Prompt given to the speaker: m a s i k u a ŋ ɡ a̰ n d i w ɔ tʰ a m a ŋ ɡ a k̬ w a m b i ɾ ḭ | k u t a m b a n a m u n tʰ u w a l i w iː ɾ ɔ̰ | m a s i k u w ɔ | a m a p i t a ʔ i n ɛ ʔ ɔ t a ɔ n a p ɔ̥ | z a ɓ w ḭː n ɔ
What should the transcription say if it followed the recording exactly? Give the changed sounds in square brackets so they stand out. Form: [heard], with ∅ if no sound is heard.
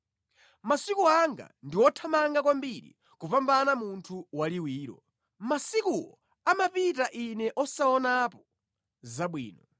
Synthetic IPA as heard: m a s i k u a ŋ ɡ a̰ n d i w ɔ tʰ a m a ŋ ɡ a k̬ w a m b i ɾ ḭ | k u [p] a m b a n a m u n tʰ u w a l i w iː ɾ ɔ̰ | m a s i k u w ɔ | a m a p i t a ʔ i n ɛ ʔ ɔ [s] a ɔ n a p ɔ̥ | z a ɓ w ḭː n ɔ

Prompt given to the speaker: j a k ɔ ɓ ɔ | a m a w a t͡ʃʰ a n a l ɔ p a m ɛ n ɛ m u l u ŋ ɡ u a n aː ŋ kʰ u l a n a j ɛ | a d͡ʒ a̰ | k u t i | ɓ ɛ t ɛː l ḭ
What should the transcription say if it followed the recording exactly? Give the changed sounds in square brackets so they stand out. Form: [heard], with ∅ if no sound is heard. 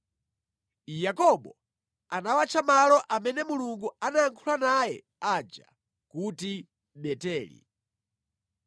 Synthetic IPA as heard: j a k ɔ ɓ ɔ | a [n] a w a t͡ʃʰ a [m] a l ɔ [ʔ] a m ɛ n ɛ m u l u ŋ ɡ u a n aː ŋ kʰ u l a n a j ɛ | a d͡ʒ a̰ | k u t i | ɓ ɛ t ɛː l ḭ

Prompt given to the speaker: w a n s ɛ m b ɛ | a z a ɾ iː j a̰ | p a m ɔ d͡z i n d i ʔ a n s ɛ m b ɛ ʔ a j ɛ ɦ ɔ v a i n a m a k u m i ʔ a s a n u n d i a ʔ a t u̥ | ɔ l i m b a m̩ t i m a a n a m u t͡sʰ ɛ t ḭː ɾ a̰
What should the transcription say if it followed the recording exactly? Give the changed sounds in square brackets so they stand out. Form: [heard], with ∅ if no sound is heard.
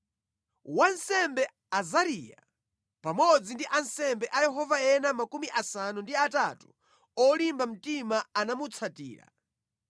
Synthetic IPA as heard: w a n s ɛ m b ɛ | a z a ɾ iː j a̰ | p a m ɔ d͡z i n d i ʔ a n s ɛ m b ɛ ʔ a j ɛ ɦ ɔ v a [ɛ] n a m a k u m i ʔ a s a n u n d i a [t] a t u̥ | ɔ l i m b a m̩ t i m a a n a m u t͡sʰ [a] t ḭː ɾ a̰

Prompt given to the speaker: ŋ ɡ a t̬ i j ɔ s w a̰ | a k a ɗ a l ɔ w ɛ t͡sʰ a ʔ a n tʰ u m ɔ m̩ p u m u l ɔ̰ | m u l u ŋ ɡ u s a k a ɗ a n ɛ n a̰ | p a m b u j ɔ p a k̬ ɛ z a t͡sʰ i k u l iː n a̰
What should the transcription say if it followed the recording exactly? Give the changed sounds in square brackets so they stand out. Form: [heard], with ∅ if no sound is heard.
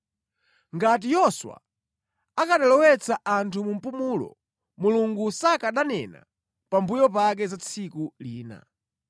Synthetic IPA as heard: ŋ ɡ a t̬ i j ɔ s w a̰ | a k a ɗ a l ɔ w ɛ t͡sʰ a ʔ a n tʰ u m [u] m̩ p u m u l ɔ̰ | m u l u ŋ ɡ u s a k a ɗ a n ɛ n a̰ | p a m b u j ɔ p a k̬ ɛ z a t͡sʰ i k u l iː n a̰

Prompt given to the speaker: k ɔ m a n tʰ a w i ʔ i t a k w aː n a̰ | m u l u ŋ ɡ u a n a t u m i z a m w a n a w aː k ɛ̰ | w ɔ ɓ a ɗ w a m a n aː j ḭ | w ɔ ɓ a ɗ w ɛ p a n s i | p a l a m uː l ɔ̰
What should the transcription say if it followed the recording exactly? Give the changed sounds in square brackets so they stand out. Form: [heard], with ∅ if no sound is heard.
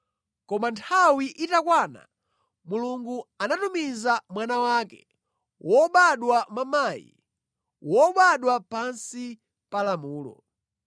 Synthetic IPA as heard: k ɔ m a n tʰ a w i ʔ i t a k w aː n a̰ | m u l u ŋ ɡ u a n a t u m i z a m w a n a w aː k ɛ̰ | w ɔ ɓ a ɗ w a m a [m] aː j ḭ | w ɔ ɓ a ɗ w [a] p a n s i | p a l a m uː l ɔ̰

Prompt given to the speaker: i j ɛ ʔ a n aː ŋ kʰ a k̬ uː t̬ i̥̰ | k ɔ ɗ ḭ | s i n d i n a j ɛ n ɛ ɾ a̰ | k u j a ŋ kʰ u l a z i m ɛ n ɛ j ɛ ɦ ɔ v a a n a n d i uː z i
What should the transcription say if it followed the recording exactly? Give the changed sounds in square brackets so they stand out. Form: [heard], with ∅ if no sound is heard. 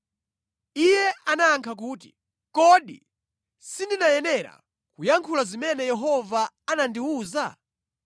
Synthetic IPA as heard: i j ɛ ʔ a n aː ŋ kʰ a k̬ uː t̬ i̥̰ | k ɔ ɗ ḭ | s i n d i n a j ɛ n ɛ ɾ a̰ | k u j a ŋ kʰ u l a z i m ɛ n ɛ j ɛ ɦ ɔ v a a n a n d i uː z [a]

